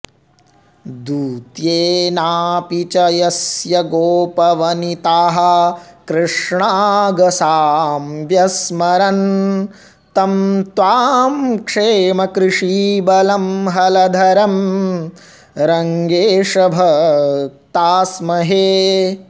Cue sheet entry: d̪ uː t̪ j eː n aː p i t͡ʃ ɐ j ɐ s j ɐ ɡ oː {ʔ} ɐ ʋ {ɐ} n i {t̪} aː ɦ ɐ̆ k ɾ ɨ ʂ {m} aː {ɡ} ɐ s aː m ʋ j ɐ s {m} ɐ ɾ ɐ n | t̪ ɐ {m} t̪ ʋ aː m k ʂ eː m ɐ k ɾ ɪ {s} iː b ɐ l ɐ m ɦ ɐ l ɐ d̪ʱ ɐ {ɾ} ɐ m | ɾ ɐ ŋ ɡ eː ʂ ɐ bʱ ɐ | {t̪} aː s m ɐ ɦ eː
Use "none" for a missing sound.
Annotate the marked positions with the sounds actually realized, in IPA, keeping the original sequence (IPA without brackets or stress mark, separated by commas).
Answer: p, ɐ, t̪, ɳ, ɡ, m, m, ʂ, ɾ, t̪